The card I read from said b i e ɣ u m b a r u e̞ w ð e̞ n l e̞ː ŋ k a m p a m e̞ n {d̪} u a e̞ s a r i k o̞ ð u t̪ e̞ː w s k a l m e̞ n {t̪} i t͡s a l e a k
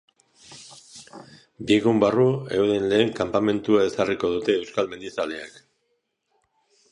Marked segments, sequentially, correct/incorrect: incorrect: t̪, incorrect: d̪

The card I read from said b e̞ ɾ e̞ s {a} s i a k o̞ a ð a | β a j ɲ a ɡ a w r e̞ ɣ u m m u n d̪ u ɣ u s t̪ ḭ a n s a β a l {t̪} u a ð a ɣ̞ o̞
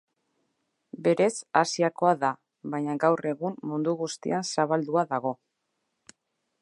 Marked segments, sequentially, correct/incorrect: correct, incorrect: d̪

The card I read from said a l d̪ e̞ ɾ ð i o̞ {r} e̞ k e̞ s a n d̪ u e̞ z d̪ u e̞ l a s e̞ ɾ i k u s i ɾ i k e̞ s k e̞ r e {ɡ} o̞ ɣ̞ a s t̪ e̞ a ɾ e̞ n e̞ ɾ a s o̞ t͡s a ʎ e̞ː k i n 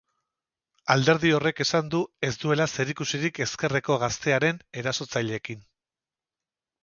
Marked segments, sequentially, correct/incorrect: correct, incorrect: k

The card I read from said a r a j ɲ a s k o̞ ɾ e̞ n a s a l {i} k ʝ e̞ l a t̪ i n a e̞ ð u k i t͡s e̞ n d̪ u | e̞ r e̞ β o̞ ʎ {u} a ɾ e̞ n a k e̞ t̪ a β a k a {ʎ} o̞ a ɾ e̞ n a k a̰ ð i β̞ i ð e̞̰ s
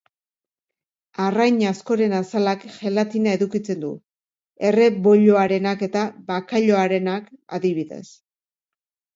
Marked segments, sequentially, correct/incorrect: incorrect: a, incorrect: o, correct

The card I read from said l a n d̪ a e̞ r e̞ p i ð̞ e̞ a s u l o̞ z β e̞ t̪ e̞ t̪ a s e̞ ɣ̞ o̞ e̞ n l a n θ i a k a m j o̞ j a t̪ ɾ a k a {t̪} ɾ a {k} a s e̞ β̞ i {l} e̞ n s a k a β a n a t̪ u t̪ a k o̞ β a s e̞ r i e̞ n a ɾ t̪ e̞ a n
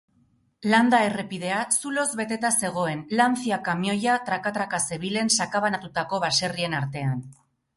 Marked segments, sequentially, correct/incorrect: correct, correct, correct

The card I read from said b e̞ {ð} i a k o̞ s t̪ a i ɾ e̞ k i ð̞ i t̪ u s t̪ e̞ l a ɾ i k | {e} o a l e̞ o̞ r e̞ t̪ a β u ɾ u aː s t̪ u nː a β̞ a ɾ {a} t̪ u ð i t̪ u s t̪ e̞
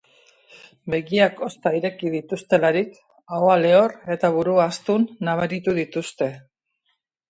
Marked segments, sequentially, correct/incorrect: incorrect: ɣ, incorrect: a, incorrect: i

